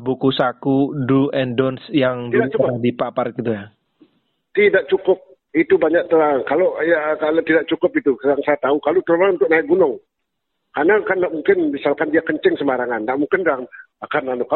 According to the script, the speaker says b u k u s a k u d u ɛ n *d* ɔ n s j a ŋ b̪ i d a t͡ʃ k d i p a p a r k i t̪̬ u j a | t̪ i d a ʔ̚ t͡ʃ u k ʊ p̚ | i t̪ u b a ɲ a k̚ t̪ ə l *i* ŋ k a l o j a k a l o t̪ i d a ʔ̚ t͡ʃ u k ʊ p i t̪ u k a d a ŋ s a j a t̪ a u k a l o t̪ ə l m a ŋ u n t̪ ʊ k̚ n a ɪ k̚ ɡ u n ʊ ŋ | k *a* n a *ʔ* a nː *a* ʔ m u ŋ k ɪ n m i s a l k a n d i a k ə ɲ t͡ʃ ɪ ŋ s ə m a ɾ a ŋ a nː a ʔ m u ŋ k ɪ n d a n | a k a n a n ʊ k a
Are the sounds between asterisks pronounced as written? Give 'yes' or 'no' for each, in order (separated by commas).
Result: yes, no, yes, no, yes